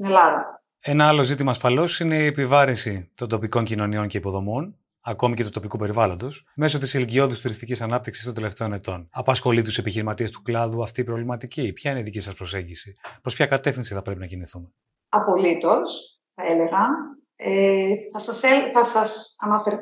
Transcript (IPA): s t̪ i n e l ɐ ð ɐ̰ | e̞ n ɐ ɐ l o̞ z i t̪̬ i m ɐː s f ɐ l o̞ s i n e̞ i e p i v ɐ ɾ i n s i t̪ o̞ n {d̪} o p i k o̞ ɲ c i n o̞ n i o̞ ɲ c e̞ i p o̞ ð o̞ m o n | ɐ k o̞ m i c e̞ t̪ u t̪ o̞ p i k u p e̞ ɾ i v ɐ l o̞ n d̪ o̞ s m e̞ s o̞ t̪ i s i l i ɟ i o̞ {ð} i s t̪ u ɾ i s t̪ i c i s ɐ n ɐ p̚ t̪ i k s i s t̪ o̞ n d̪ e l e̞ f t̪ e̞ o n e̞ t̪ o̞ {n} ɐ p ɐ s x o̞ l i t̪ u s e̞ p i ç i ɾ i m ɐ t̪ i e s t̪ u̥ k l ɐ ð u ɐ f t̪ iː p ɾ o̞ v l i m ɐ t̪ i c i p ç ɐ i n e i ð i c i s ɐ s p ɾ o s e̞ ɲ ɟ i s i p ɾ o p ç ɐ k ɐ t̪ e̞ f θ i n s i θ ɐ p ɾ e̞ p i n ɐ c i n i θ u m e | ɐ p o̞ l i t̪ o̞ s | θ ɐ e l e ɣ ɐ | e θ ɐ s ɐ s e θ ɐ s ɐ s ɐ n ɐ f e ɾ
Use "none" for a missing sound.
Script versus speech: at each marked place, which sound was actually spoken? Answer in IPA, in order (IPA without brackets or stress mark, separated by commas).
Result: d̪, ð, n